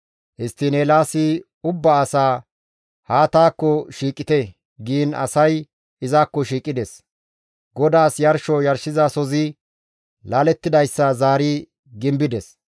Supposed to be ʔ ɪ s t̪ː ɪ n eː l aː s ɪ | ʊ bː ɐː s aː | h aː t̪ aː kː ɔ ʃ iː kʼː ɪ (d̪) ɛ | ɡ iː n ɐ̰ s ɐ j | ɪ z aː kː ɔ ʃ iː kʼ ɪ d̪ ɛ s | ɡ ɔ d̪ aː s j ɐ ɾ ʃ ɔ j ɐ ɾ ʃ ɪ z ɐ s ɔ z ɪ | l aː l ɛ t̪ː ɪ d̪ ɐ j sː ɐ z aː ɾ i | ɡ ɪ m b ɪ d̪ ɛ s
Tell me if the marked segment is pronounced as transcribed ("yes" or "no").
no